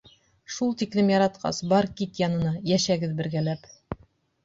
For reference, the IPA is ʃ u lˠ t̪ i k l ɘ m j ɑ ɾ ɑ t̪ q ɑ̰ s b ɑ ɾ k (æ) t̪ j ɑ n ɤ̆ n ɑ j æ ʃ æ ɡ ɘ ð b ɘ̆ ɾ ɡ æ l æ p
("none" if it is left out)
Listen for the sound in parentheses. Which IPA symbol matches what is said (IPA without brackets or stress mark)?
i